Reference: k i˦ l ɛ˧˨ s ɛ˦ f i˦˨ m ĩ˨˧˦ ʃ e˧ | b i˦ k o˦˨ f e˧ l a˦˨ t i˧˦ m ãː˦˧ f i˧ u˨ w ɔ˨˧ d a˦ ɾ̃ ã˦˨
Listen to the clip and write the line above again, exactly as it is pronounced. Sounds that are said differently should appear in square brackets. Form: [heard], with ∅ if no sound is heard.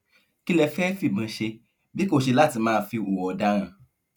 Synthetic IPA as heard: k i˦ l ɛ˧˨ [f] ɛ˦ f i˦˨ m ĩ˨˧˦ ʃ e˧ | b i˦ k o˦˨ [ʃ] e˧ l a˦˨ t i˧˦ m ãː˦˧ f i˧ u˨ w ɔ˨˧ d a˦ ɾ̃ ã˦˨